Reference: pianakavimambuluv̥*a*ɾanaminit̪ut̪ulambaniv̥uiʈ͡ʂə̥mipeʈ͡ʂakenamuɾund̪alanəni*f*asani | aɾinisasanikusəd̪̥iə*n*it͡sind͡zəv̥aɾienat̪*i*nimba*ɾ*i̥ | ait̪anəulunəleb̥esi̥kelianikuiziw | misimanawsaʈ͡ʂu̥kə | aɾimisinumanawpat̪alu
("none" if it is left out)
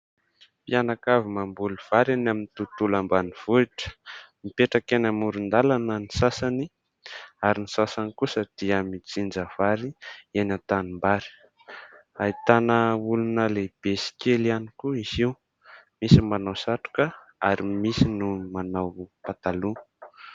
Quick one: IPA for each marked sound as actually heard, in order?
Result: a, s, m, a, ɾ

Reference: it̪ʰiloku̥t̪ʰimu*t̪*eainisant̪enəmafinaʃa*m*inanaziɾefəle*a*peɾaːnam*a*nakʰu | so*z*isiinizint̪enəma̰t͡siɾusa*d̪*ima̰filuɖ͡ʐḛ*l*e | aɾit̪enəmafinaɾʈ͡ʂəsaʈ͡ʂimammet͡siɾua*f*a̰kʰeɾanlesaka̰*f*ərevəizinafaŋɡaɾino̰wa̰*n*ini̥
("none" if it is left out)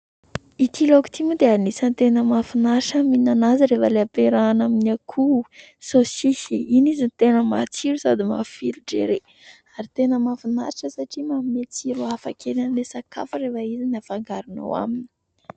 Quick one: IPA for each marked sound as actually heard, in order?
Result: d̪, m, a, i, s, d̪, ɾ, f, f, m

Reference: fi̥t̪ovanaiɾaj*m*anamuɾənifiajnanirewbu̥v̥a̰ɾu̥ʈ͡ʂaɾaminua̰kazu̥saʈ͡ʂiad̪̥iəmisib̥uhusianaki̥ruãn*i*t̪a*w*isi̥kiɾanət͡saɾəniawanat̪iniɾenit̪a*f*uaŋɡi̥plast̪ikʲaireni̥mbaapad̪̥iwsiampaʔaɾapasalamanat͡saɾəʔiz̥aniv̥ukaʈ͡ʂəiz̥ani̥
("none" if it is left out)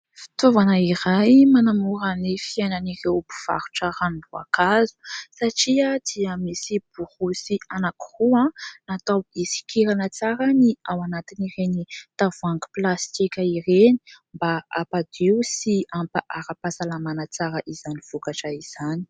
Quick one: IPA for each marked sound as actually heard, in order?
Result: m, a, w, v

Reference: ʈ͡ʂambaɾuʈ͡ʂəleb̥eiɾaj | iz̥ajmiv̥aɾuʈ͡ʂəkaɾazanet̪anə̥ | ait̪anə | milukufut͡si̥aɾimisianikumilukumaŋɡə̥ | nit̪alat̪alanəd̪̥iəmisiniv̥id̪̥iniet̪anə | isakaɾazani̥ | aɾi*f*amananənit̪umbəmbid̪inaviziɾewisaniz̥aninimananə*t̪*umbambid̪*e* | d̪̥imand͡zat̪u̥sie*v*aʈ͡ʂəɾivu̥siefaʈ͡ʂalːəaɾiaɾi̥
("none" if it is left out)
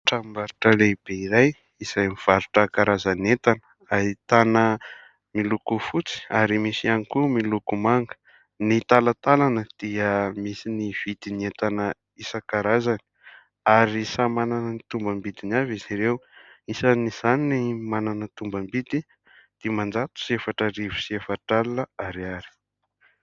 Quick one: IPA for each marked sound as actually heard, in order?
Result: s, t̪, i, f

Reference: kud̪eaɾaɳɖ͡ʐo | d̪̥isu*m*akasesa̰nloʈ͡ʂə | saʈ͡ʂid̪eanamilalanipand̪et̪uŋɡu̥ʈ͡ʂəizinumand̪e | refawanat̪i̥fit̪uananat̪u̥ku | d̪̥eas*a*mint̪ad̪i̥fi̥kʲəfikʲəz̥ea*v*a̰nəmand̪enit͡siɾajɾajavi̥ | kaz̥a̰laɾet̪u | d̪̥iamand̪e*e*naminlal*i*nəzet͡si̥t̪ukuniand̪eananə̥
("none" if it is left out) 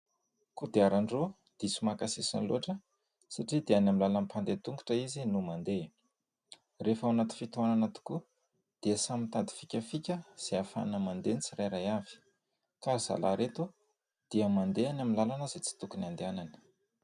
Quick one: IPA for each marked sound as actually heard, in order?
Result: m, a, f, a, a

